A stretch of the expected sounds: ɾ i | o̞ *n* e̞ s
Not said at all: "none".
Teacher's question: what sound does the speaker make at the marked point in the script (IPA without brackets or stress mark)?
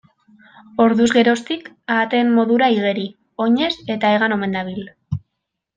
ɲ